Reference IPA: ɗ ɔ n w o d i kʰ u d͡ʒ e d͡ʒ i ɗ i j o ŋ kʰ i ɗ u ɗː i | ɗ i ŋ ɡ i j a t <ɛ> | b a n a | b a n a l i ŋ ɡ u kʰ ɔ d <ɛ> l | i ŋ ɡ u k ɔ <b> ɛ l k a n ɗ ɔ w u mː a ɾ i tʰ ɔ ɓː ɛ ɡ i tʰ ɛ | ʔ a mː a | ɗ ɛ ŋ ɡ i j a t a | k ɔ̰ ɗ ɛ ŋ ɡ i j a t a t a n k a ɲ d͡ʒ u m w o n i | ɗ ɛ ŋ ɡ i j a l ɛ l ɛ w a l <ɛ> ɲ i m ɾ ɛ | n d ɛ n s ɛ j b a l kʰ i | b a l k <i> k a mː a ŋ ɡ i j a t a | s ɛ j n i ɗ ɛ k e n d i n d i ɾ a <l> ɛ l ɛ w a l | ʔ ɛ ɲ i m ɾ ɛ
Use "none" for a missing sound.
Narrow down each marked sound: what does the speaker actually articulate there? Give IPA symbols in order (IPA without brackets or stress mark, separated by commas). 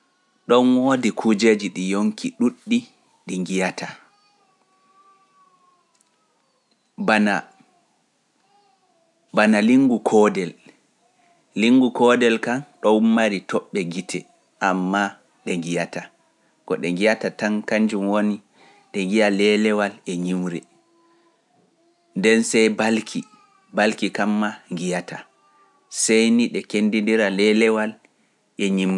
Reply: a, ɛ, d, ɛ, i, l